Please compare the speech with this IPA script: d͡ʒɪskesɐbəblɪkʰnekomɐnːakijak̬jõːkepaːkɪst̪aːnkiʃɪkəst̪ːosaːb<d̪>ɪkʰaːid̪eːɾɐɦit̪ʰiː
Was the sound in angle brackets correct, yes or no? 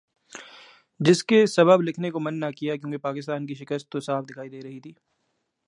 yes